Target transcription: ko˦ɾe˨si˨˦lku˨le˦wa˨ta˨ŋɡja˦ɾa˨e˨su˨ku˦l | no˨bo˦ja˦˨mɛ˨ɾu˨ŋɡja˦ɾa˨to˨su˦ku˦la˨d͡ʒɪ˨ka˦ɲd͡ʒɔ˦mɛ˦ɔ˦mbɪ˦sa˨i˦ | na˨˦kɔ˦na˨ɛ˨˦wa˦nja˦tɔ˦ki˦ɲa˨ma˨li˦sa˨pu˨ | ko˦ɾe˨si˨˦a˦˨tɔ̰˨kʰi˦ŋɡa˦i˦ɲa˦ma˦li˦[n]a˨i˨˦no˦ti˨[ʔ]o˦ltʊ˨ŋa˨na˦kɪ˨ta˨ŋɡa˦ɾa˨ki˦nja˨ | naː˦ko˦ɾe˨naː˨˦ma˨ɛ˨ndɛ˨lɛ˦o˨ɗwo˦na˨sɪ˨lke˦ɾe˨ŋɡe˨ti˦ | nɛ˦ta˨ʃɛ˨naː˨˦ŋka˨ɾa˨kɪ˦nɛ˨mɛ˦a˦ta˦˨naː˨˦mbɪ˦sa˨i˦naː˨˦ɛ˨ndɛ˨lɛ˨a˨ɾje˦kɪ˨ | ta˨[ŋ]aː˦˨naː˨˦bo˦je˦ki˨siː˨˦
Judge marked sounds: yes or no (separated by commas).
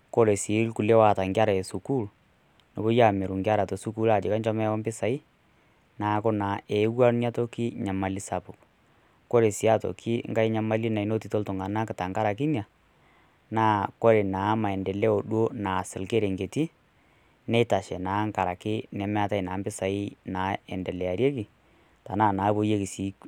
yes, no, no